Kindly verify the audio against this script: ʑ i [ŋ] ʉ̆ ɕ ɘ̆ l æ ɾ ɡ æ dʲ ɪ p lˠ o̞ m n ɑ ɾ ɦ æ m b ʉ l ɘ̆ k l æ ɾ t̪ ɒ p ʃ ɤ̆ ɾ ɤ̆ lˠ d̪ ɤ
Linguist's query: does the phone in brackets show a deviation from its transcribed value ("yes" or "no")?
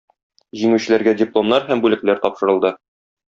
no